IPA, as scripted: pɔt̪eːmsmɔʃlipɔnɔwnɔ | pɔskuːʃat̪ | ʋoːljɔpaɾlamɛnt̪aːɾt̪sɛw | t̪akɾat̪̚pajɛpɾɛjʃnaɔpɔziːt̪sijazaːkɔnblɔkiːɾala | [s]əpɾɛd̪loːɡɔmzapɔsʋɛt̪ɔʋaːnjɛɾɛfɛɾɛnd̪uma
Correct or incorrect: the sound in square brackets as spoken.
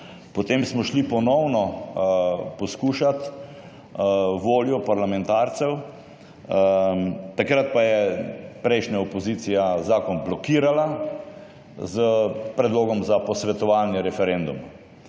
incorrect: z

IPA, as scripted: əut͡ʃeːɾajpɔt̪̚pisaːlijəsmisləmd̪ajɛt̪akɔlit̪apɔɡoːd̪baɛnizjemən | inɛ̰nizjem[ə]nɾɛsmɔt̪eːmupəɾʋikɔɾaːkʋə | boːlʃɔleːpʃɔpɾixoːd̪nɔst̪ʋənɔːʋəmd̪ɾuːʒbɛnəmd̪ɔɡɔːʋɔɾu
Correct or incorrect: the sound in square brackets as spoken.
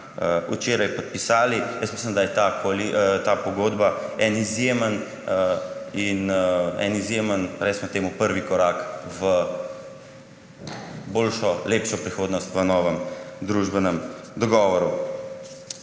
correct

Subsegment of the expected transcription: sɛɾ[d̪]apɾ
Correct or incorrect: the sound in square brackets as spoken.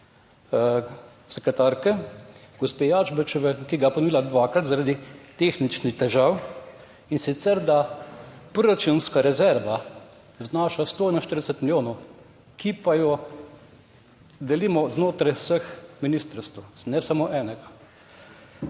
correct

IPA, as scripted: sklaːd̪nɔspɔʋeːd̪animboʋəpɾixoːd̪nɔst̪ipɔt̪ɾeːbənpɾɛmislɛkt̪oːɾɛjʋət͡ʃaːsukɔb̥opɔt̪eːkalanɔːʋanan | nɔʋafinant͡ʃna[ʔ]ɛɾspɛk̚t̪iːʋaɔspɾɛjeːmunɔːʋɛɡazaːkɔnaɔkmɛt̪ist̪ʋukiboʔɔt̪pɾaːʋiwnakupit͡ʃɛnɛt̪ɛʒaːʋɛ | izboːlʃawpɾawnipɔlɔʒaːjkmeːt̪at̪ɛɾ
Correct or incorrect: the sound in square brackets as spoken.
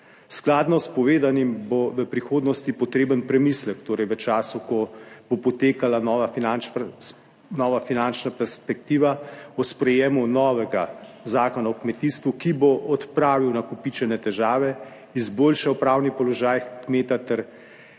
incorrect: p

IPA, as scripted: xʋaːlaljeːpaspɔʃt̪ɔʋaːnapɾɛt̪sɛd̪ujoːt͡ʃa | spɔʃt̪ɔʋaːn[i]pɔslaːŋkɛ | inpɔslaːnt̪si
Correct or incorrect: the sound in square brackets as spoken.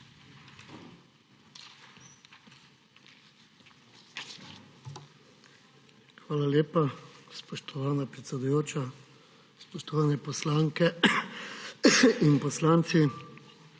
incorrect: ɛ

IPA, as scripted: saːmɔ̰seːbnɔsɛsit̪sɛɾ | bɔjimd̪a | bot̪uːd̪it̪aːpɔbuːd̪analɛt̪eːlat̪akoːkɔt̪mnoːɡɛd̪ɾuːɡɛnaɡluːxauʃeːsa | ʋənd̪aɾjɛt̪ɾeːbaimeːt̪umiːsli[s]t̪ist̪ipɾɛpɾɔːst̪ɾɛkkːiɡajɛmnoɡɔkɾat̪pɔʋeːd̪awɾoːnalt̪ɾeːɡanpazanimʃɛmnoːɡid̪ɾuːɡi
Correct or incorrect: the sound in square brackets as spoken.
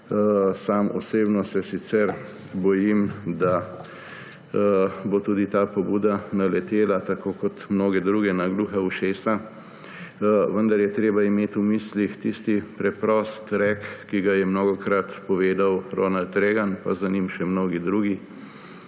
incorrect: x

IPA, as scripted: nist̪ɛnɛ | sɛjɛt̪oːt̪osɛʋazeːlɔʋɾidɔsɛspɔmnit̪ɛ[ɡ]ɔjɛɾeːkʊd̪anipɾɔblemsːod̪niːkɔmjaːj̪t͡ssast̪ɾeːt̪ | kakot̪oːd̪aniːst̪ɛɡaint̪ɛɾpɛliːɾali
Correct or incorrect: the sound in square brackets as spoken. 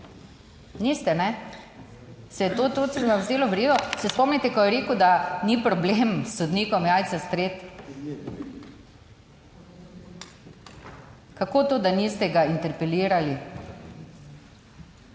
incorrect: k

